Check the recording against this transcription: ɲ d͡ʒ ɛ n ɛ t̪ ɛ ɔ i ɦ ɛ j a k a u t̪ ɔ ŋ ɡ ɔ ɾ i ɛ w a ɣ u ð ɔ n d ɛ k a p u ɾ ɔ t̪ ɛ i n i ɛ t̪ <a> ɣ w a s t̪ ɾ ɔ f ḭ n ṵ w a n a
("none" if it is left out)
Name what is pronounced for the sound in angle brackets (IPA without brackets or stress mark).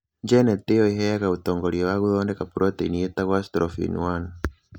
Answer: a